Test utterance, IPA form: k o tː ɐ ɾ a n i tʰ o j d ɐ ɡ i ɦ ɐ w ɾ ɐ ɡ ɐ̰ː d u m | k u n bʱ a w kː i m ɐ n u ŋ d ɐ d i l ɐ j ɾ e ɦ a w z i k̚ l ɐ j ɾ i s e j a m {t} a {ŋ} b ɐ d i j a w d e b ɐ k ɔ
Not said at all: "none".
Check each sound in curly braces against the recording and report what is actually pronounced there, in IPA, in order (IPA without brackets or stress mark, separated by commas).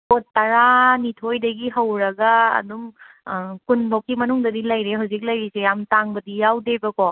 t, ŋ